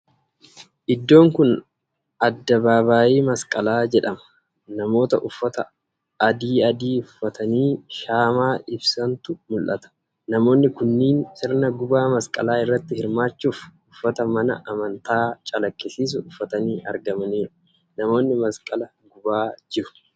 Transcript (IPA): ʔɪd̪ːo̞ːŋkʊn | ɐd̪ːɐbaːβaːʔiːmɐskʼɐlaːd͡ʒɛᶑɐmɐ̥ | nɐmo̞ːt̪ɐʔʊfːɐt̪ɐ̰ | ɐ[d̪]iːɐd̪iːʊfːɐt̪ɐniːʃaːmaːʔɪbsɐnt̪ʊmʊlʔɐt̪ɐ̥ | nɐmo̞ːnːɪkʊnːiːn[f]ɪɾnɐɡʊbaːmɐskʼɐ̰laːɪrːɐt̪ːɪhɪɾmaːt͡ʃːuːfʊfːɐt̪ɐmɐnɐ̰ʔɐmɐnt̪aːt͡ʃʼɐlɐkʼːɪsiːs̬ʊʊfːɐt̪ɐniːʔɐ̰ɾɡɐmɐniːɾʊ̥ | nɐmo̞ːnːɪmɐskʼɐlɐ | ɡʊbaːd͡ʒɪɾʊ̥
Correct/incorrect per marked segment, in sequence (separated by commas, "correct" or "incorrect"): correct, incorrect